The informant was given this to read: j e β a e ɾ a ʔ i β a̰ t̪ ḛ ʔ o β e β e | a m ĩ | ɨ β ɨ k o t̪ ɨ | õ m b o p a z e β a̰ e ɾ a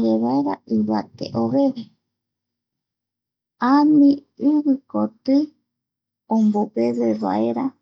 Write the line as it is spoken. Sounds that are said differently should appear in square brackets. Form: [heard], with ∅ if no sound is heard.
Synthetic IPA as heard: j e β a e ɾ a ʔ i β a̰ t̪ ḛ ʔ o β e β e | a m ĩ | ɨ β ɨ k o t̪ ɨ | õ m b o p [e] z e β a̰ e ɾ a